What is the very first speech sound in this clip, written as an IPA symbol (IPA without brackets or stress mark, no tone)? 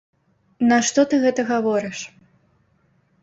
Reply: n